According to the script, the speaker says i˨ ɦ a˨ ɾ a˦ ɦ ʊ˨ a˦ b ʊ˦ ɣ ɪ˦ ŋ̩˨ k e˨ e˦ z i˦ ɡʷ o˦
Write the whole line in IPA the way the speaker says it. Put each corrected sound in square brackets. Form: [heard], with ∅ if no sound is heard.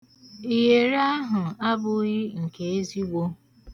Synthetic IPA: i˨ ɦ [e˨] ɾ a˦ ɦ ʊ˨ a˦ b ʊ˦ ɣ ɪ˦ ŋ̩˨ k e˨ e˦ z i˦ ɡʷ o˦